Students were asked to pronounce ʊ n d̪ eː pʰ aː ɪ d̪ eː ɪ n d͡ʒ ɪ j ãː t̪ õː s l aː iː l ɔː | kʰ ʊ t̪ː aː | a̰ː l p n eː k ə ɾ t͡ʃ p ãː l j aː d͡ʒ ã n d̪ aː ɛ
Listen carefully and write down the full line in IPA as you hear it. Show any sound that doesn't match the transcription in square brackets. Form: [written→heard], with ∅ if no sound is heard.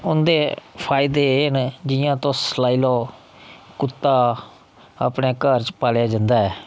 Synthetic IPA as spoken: ʊ n d̪ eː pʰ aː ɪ d̪ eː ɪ n d͡ʒ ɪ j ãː t̪ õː s l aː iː l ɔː | [kʰ→k] ʊ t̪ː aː | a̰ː [l→∅] p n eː k ə ɾ t͡ʃ p [ãː→aː] l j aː d͡ʒ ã n d̪ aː [ɛ→ɛː]

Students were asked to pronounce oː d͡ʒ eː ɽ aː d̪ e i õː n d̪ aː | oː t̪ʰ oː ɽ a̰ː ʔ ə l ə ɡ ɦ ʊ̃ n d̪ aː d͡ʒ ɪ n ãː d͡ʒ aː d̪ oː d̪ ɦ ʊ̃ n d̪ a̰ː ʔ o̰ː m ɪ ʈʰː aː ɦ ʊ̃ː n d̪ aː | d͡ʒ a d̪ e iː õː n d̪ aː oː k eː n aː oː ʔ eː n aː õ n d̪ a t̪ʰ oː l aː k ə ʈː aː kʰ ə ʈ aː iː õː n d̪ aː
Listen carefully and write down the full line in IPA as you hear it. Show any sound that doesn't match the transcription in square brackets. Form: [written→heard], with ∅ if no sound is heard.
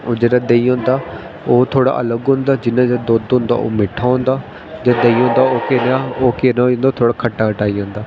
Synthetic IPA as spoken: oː d͡ʒ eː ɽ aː d̪ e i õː n d̪ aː | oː t̪ʰ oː ɽ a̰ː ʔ ə l ə ɡ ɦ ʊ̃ n d̪ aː d͡ʒ ɪ n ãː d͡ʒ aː d̪ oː d̪ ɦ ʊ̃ n d̪ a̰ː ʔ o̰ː m ɪ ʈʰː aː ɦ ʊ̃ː n d̪ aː | d͡ʒ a d̪ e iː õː n d̪ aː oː k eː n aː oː [ʔ→k] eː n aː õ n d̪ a t̪ʰ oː [l→ɽ] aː [k→kʰ] ə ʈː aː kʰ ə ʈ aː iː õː n d̪ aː

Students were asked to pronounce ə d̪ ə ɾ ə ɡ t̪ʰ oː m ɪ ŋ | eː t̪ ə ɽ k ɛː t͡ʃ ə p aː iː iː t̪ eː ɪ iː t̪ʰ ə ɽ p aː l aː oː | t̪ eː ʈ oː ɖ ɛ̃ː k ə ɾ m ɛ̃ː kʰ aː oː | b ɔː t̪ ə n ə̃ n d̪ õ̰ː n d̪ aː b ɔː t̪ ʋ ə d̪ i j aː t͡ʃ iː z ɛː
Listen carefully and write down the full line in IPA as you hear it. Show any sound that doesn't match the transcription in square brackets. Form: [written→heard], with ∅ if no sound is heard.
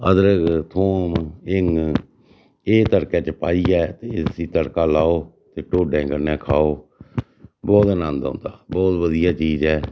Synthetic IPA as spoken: ə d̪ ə ɾ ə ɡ t̪ʰ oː m ɪ ŋ | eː t̪ ə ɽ k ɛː t͡ʃ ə p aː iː [iː→ɛː] t̪ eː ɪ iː [t̪ʰ→t̪] ə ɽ [p→k] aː l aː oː | t̪ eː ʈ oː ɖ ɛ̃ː k ə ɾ [m→n] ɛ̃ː kʰ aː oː | b ɔː t̪ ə n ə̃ n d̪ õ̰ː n d̪ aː b ɔː t̪ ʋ ə d̪ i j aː t͡ʃ iː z ɛː

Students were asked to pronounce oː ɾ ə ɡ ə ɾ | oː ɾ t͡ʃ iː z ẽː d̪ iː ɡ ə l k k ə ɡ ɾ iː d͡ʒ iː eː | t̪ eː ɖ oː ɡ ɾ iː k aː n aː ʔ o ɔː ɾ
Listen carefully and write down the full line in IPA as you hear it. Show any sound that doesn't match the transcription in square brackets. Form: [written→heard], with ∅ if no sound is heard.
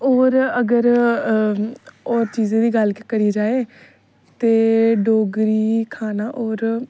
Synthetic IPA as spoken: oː ɾ ə ɡ ə ɾ | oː ɾ t͡ʃ iː z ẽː d̪ iː ɡ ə l k k ə [ɡ→∅] ɾ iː d͡ʒ [iː→aː] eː | t̪ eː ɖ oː ɡ ɾ iː [k→kʰ] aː n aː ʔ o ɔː ɾ

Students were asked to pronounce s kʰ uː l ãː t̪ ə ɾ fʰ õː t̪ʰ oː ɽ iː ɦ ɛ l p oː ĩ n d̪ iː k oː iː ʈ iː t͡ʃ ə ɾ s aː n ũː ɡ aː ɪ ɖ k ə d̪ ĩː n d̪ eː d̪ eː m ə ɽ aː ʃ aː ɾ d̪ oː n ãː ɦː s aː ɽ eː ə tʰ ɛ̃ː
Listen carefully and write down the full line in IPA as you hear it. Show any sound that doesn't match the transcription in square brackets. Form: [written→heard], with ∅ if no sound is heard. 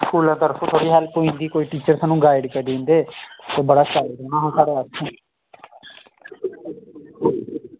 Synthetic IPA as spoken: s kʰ uː l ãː t̪ ə ɾ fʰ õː t̪ʰ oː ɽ iː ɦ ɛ l p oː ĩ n d̪ iː k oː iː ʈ iː t͡ʃ ə ɾ s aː n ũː ɡ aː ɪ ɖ k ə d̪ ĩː n d̪ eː [d̪→t̪] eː [m→b] ə ɽ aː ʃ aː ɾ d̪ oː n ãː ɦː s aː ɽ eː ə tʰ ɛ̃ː

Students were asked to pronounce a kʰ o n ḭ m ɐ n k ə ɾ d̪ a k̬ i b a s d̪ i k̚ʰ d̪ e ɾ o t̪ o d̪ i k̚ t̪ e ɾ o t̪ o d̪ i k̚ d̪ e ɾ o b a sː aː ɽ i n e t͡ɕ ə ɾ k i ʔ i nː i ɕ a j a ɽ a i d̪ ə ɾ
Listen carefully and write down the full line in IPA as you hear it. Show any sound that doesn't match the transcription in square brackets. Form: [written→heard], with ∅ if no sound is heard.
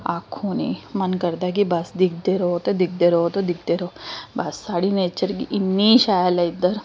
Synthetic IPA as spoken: a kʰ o n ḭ m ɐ n k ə ɾ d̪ a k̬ i b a s d̪ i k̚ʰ d̪ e ɾ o t̪ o d̪ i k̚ [t̪→d̪] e ɾ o t̪ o d̪ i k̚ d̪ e ɾ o b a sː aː ɽ i n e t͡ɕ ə ɾ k i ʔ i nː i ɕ a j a [ɽ→l] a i d̪ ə ɾ

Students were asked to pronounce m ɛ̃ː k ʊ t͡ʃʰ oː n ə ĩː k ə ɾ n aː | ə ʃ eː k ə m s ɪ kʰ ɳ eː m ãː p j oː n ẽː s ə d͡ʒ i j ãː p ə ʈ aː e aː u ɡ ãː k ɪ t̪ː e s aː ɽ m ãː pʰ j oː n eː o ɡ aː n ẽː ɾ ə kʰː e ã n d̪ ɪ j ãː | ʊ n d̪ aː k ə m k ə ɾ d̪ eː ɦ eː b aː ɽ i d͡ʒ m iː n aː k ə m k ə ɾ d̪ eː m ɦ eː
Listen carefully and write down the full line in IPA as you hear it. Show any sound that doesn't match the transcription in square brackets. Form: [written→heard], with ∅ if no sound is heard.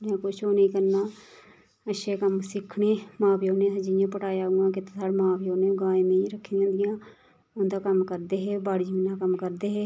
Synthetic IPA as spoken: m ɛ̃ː k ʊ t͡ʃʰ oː n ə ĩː k ə ɾ n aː | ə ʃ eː k ə m s ɪ kʰ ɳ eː m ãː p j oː n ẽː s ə d͡ʒ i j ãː p ə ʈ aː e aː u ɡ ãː k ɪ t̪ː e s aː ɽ m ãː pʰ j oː n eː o ɡ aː [n→m] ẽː ɾ ə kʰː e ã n d̪ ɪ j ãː | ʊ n d̪ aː k ə m k ə ɾ d̪ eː ɦ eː b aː ɽ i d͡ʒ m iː n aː k ə m k ə ɾ d̪ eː [m→∅] ɦ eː

